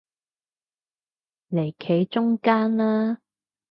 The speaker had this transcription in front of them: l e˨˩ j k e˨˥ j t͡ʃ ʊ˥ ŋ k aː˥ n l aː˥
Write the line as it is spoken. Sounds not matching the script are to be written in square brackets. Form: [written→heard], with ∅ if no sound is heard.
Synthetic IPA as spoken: l e˨˩ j [k→kʰ] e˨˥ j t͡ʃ ʊ˥ ŋ k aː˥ n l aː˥